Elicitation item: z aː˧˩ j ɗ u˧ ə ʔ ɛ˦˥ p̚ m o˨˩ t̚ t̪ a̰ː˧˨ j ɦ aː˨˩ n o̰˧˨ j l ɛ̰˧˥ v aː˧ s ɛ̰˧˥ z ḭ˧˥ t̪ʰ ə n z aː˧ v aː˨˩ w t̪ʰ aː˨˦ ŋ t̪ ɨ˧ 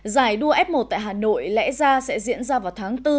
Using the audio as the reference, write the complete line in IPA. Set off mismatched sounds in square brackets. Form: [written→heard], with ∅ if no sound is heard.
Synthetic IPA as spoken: z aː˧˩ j ɗ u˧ ə ʔ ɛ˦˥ p̚ m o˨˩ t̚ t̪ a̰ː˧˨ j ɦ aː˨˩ n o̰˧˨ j l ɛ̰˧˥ [v→z] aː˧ s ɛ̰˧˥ z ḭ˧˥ [t̪ʰ→∅] ə n z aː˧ v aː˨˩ w t̪ʰ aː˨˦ ŋ t̪ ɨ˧